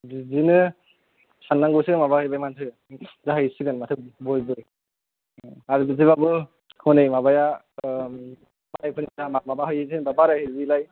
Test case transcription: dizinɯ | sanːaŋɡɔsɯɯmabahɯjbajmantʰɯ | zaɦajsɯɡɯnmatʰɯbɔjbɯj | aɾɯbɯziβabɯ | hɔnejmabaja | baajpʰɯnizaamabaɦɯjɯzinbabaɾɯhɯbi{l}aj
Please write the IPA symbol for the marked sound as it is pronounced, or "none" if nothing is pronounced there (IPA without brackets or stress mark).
l